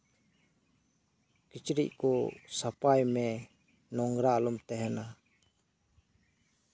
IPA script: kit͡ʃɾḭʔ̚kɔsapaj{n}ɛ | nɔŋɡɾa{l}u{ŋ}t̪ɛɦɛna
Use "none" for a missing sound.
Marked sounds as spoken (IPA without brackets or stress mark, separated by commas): m, l, m